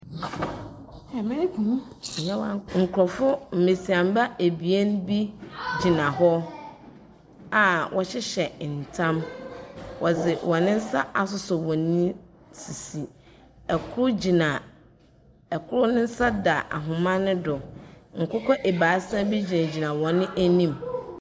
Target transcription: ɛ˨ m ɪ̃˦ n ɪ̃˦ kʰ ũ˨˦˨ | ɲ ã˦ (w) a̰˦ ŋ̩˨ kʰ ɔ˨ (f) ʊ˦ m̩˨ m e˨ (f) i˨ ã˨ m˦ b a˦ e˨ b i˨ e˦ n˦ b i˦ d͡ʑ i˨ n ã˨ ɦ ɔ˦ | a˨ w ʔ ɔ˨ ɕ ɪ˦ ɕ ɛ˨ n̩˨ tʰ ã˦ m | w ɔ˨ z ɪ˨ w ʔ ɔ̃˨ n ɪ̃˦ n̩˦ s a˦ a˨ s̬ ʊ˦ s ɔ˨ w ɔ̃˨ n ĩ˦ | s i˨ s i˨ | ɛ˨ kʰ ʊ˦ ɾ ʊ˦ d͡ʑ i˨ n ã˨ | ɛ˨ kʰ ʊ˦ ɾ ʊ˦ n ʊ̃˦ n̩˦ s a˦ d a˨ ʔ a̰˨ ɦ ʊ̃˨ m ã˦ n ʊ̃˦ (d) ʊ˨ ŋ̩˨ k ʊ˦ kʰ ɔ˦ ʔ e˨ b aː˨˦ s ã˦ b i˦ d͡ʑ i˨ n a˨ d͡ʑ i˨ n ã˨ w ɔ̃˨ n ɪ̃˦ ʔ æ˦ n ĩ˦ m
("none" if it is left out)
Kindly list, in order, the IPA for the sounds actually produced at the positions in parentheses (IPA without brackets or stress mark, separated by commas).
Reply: w, f, s, d